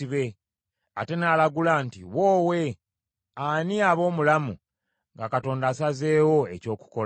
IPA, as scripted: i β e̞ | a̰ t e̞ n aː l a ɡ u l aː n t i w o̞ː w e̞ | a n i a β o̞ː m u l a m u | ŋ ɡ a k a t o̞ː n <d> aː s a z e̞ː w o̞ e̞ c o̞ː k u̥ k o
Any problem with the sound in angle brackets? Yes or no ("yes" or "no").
no